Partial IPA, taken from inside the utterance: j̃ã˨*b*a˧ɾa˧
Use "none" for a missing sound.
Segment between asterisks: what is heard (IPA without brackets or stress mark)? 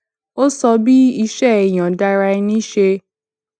d